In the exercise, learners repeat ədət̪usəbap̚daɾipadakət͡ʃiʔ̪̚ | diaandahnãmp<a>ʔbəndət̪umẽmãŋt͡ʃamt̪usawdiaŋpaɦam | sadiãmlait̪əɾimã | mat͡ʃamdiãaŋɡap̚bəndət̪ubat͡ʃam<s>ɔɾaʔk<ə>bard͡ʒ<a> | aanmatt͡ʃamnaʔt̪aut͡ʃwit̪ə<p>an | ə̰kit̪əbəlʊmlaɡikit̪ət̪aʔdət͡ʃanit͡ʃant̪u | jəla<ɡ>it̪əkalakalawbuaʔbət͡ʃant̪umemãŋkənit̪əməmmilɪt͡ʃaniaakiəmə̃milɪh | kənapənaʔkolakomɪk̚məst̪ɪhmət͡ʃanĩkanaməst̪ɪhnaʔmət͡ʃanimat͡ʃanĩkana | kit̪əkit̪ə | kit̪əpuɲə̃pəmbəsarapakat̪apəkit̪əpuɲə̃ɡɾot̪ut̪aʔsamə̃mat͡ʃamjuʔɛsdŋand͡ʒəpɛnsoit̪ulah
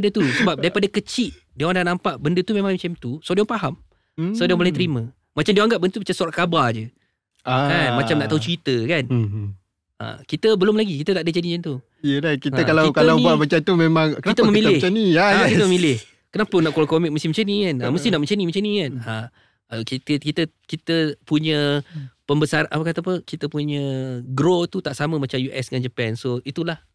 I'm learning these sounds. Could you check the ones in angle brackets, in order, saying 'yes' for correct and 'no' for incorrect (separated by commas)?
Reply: yes, yes, no, no, no, no